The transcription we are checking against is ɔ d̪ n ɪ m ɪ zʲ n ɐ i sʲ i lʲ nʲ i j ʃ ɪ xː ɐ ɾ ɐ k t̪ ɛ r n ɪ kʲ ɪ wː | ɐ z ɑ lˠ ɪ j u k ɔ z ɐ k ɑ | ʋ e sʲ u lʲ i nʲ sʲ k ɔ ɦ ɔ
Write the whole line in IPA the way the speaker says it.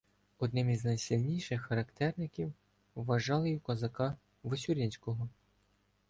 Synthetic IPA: ɔ d̪ n ɪ m i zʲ n ɐ j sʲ i lʲ nʲ i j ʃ ɪ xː ɐ ɾ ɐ k t̪ ɛ r n ɪ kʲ i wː | ɐ ʒ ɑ lˠ ɪ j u k ɔ z ɐ k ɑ | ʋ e sʲ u ɾʲ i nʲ sʲ k ɔ ɦ ɔ